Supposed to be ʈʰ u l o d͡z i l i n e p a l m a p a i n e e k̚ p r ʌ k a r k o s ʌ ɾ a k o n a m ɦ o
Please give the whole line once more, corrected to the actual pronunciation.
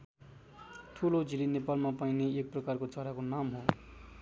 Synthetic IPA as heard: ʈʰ u l o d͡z i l i n e p a l m a p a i n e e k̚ p r ʌ k a r k o t͡s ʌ ɾ a k o n a m ɦ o